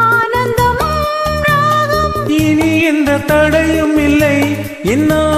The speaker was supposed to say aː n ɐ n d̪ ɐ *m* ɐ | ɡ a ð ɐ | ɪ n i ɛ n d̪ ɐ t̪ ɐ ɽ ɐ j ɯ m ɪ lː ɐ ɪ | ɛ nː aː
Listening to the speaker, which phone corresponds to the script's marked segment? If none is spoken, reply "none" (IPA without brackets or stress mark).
m